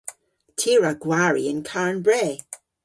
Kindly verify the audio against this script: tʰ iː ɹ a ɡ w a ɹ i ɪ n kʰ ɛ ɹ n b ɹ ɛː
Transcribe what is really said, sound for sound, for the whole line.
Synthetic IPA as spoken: tʰ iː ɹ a ɡ w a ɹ i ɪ n kʰ a ɹ n b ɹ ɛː